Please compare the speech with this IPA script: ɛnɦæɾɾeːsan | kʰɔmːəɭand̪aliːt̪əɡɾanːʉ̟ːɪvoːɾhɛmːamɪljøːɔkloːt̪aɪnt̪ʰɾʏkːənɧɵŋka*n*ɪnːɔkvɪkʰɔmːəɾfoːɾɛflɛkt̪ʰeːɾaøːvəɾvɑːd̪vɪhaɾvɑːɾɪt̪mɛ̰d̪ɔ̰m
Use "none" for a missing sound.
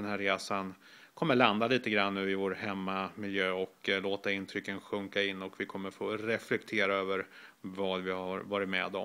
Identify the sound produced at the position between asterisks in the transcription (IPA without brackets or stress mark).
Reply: none